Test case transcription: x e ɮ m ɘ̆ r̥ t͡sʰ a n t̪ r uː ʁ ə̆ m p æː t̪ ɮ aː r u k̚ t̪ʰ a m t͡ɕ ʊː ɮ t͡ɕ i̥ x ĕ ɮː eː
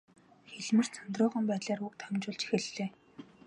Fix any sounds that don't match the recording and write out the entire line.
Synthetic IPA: x e ɮ m ɘ̆ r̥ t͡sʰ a n t̪ r ʊː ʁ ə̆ m p æː t̪ ɮ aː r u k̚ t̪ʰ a m t͡ɕ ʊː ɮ t͡ɕ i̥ x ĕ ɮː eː